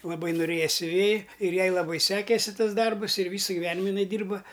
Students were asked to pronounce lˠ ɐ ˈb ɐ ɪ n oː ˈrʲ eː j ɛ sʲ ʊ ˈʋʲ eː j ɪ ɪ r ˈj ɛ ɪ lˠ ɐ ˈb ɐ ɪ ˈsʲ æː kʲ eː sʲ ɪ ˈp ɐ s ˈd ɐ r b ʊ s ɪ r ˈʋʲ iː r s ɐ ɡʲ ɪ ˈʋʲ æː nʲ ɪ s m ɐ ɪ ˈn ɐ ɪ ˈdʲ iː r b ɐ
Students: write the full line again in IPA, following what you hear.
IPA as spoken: lˠ ɐ ˈb ɐ ɪ n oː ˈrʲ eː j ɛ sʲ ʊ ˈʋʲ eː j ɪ ɪ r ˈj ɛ ɪ lˠ ɐ ˈb ɐ ɪ ˈsʲ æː kʲ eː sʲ ɪ ˈt ɐ s ˈd ɐ r b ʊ s ɪ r ˈʋʲ iː s ɐ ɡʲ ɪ ˈʋʲ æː nʲ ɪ m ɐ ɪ ˈn ɐ ɪ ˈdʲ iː r b ɐ